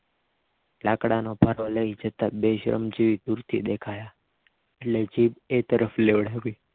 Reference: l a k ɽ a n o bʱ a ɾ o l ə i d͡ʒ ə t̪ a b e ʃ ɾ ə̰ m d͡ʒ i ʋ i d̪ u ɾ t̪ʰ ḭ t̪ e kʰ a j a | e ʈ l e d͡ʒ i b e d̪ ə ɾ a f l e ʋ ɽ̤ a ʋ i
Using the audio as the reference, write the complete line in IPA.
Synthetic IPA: l a k ɽ a n o bʱ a ɾ o l ə i d͡ʒ ə t̪ a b e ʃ ɾ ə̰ m d͡ʒ i ʋ i d̪ u ɾ t̪ʰ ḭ d̪ e kʰ a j a | e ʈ l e d͡ʒ i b e t̪ ə ɾ ə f l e ʋ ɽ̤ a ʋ i